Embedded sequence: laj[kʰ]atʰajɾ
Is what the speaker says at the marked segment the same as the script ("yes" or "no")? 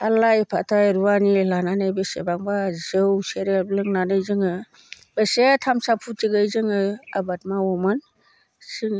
no